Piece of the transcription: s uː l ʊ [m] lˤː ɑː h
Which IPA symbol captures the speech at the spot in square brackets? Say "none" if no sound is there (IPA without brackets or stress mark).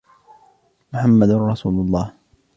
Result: none